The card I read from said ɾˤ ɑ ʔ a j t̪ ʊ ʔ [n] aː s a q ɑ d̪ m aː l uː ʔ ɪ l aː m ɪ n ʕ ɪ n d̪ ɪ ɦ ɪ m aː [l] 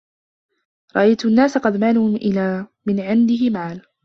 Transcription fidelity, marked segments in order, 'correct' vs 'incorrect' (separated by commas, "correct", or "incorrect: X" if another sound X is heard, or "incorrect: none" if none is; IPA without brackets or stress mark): incorrect: nː, correct